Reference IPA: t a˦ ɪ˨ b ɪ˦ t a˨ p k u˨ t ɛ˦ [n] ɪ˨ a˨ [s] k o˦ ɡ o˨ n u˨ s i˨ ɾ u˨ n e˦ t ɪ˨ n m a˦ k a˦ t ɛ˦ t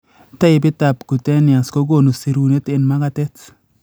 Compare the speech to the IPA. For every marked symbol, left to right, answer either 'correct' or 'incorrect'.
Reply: correct, correct

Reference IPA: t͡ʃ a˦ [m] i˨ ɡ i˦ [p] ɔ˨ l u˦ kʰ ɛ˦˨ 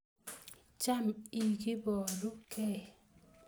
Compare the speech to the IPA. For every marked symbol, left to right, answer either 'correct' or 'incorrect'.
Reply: correct, incorrect

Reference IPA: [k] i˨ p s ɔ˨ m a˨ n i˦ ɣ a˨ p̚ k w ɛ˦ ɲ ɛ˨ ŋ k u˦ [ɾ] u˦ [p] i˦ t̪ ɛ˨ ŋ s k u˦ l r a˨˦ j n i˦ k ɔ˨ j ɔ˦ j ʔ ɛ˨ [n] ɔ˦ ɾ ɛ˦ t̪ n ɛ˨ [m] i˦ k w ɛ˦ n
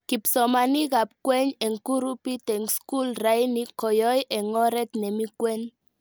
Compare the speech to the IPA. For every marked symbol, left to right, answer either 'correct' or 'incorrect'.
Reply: correct, correct, correct, incorrect, correct

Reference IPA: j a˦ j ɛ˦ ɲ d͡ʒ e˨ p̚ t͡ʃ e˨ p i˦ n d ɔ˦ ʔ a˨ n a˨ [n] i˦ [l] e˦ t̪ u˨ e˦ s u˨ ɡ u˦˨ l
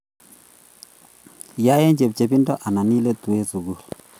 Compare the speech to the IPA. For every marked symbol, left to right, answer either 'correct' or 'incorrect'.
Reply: correct, correct

